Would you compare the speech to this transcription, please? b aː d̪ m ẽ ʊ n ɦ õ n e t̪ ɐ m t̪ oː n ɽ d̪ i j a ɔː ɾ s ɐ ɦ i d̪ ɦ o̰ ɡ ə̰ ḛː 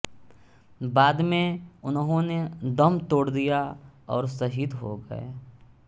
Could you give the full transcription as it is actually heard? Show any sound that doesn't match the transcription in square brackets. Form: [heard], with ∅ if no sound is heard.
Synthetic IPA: b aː d̪ m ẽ ʊ n ɦ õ n e [d̪] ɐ m t̪ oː [∅] ɽ d̪ i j a ɔː ɾ s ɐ ɦ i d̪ ɦ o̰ ɡ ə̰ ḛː